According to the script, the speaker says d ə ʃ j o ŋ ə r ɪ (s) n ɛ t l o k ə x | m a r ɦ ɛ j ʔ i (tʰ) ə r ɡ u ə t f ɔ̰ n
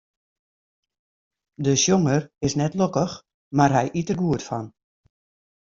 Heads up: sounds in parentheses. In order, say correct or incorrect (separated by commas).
correct, incorrect